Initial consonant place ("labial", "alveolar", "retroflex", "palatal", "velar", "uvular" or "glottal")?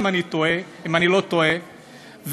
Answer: labial